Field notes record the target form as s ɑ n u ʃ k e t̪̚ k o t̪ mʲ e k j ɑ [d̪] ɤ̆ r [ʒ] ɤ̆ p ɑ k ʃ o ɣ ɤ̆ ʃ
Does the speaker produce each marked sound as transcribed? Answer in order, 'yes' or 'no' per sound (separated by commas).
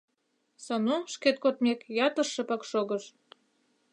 no, no